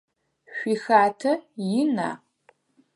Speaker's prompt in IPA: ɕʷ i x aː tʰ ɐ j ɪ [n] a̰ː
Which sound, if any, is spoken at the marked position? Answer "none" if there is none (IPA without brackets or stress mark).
n